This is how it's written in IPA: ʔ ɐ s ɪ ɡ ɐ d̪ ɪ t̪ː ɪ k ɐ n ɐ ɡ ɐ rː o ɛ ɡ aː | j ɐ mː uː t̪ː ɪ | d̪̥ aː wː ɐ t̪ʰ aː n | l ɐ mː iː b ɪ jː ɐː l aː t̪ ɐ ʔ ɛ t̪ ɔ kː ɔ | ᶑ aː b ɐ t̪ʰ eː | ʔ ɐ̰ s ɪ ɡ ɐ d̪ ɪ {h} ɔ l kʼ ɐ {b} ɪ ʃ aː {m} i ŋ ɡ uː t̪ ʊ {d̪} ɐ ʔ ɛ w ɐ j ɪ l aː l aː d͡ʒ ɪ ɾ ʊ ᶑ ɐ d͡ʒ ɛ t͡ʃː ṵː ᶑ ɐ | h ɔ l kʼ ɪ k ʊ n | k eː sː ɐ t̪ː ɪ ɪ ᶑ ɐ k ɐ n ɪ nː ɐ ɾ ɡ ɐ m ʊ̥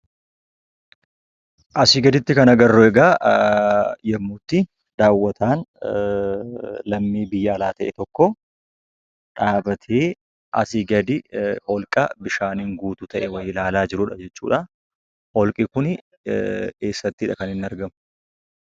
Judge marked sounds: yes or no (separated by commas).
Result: yes, yes, no, no